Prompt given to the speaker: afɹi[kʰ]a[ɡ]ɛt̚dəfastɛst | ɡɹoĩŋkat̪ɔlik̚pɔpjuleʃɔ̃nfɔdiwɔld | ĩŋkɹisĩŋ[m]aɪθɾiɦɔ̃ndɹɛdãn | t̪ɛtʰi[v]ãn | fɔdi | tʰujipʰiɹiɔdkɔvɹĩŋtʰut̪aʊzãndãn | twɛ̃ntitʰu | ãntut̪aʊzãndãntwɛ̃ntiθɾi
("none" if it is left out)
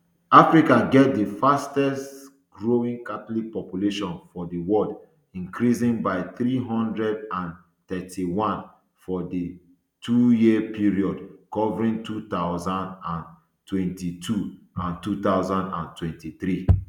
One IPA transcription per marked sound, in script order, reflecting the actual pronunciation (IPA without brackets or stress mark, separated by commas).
k, ɡ, b, w